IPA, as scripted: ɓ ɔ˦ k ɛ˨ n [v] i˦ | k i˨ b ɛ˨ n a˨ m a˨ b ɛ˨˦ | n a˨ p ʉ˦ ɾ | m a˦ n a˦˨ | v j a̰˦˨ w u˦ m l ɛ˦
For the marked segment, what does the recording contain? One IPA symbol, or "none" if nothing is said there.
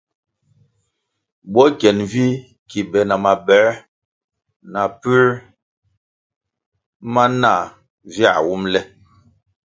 v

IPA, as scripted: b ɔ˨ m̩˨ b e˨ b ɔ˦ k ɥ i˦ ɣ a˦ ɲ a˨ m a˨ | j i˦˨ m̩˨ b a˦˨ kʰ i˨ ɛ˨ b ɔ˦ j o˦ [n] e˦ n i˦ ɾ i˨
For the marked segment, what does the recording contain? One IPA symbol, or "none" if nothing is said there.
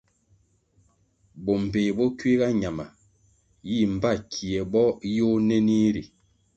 n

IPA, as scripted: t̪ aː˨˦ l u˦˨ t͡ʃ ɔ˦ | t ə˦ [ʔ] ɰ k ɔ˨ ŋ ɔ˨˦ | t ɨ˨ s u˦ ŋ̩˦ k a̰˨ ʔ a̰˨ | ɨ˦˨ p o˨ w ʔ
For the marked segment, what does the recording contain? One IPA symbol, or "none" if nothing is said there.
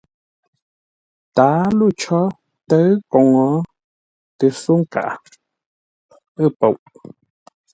none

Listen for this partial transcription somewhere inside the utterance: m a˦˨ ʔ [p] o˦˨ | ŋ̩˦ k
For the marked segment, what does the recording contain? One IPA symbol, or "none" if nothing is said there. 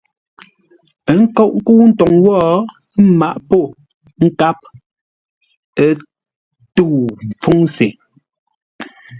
p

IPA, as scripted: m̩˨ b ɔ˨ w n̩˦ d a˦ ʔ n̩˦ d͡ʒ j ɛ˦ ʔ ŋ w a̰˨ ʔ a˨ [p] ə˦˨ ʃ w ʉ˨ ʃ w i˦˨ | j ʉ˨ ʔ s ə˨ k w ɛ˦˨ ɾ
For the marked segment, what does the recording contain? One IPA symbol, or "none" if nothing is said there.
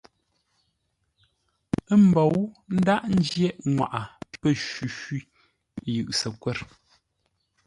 p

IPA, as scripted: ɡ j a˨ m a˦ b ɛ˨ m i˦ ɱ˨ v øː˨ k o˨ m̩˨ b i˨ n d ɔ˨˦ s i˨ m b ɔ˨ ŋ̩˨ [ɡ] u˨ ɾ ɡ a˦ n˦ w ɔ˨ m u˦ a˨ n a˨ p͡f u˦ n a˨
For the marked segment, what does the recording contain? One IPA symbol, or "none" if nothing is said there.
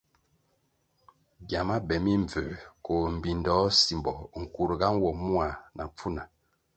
k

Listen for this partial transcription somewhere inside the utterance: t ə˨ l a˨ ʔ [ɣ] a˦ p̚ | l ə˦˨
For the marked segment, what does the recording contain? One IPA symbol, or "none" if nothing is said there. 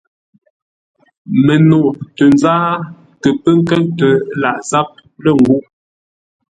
z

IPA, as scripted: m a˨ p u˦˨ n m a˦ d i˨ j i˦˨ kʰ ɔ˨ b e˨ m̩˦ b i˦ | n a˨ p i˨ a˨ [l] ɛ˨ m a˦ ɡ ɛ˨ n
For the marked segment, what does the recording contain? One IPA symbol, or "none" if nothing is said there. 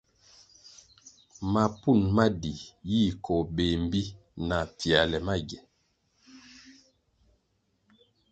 l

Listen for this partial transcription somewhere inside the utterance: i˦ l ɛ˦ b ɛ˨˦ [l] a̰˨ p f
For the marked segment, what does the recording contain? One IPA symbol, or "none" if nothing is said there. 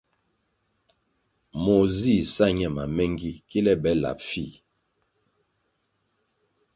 l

